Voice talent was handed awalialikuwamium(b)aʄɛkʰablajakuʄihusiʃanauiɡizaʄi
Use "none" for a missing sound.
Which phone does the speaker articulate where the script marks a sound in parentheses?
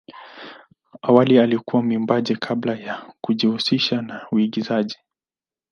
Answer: b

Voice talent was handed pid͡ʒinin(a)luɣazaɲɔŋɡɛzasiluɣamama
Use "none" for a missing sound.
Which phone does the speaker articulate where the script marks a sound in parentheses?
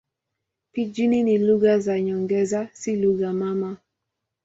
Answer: i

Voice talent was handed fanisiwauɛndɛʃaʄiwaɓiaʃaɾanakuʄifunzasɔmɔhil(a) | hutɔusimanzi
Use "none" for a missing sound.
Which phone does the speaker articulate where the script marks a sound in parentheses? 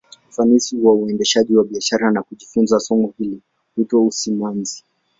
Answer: i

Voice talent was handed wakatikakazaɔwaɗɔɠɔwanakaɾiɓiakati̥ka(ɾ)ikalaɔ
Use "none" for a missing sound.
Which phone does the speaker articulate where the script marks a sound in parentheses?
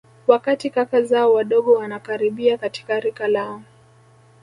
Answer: ɾ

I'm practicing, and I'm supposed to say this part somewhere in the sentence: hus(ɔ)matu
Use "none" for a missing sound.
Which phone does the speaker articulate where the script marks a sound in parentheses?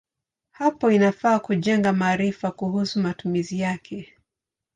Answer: u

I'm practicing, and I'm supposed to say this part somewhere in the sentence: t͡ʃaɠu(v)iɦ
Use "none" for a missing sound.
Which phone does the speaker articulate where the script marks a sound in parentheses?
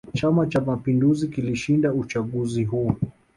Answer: z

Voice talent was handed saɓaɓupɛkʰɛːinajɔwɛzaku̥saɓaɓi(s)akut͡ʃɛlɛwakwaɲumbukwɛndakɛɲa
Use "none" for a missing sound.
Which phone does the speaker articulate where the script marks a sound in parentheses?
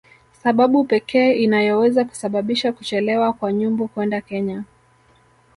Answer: ʃ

